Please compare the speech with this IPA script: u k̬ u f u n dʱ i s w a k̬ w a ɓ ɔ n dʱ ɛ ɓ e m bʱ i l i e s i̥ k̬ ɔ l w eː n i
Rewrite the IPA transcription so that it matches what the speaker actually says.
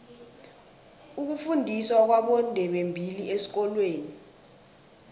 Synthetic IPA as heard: u k̬ u f u n dʱ i s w a k̬ w a ɓ ɔ n dʱ ɛ ɓ e m bʱ i l i e s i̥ k̬ ɔ l w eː n i